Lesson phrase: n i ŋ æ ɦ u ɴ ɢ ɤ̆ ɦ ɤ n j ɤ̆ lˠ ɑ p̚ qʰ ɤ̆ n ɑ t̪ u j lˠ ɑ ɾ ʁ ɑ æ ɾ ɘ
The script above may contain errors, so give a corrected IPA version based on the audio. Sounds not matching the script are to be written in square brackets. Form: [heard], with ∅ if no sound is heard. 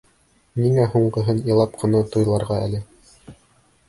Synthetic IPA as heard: n i ŋ æ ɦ u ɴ ɢ ɤ̆ ɦ ɤ n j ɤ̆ lˠ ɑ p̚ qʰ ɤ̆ n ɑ t̪ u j lˠ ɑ ɾ ʁ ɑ æ [l] ɘ